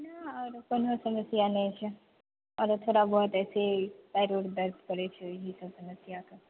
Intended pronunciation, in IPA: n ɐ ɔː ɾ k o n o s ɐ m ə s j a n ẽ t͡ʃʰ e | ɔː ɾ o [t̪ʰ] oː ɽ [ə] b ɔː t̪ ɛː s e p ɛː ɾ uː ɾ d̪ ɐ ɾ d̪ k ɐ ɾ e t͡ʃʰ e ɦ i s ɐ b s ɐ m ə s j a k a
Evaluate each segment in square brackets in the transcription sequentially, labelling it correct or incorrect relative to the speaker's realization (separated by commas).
correct, incorrect